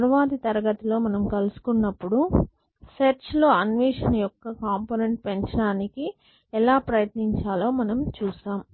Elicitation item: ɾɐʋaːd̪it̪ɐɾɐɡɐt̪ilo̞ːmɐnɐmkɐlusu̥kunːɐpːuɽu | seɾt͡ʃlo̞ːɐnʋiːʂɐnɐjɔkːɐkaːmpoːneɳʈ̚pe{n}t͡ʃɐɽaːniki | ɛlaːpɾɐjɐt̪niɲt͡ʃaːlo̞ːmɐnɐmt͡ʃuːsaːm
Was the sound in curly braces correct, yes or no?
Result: no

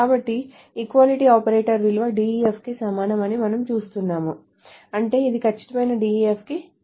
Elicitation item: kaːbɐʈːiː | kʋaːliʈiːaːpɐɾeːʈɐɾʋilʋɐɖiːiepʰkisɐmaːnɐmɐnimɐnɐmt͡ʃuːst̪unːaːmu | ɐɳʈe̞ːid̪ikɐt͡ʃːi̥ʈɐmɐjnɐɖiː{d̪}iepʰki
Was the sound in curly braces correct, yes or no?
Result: no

